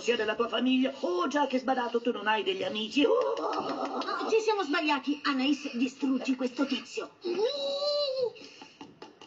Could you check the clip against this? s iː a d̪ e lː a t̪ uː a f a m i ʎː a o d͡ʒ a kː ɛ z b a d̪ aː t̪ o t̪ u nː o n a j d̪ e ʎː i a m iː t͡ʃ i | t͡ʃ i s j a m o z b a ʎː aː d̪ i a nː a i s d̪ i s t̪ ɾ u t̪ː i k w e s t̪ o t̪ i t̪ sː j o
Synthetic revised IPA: s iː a d̪ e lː a t̪ uː a f a m i ʎː a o d͡ʒ a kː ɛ z b a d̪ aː t̪ o t̪ u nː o n a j d̪ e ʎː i a m iː t͡ʃ i | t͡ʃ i s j a m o z b a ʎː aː t̪ i a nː a i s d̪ i s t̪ ɾ u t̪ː i k w e s t̪ o t̪ i t̪ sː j o